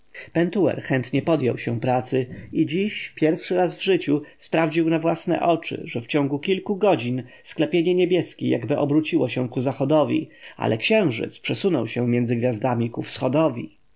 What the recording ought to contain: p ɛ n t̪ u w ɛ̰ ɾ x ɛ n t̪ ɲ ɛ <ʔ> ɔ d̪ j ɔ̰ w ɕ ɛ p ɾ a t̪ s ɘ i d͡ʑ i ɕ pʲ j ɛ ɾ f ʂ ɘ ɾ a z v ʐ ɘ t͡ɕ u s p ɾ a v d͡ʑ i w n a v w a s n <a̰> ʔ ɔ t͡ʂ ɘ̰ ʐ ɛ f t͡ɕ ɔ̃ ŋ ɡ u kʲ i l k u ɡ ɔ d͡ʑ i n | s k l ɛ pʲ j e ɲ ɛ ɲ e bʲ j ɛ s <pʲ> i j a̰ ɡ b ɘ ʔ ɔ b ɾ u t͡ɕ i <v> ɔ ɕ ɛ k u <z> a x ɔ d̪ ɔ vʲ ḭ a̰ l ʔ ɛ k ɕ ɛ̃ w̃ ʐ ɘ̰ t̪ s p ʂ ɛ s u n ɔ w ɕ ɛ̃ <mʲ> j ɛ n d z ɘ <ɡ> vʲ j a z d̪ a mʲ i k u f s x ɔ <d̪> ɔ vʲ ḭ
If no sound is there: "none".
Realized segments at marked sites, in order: p, ɛ̰, kʲ, w, z, mʲ, ɡ, d̪

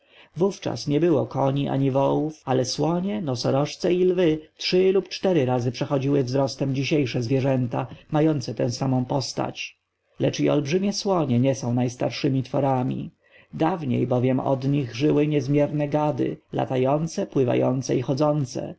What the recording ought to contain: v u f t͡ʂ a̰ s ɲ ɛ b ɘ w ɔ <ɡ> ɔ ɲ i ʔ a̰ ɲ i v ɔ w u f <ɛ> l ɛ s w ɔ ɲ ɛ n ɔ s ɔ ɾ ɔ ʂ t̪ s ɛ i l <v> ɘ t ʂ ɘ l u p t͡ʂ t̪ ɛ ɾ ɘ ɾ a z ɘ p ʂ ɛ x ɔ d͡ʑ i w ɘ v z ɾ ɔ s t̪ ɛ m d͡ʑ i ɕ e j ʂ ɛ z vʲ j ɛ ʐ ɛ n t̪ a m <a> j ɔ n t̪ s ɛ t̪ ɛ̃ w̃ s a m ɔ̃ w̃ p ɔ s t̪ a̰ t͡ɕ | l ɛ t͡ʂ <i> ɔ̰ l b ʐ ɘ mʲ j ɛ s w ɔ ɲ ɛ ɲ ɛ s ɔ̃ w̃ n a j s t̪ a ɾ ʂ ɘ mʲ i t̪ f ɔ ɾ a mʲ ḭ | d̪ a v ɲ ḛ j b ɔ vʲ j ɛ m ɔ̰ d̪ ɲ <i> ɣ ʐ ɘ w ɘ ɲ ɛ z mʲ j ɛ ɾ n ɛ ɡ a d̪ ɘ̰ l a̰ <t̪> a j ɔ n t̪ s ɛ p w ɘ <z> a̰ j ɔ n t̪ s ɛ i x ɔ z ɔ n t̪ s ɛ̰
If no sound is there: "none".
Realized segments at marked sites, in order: k, a, v, a, i, i, t̪, v

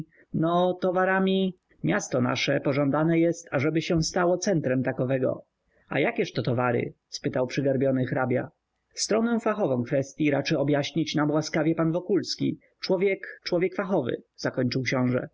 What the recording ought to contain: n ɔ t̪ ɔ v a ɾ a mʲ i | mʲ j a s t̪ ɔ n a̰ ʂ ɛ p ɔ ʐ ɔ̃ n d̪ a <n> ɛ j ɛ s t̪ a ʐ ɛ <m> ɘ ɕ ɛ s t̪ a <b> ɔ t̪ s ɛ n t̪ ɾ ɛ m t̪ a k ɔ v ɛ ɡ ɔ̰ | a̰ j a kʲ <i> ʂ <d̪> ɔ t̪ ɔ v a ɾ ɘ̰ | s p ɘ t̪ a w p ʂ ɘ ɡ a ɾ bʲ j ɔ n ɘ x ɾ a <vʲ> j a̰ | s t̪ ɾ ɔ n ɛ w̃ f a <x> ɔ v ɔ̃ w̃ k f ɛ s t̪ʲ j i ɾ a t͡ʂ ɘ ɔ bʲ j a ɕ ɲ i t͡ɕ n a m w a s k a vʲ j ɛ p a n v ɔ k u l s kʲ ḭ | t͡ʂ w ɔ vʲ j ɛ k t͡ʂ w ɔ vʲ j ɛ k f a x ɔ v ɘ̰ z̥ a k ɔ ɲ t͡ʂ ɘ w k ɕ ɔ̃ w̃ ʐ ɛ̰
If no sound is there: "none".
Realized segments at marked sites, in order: n, b, w, ɛ, t̪, bʲ, x

